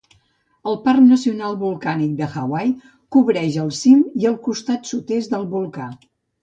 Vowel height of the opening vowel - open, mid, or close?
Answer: mid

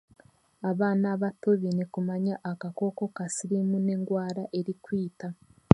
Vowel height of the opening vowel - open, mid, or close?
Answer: open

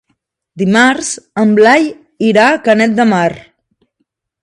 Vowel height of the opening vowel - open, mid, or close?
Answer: close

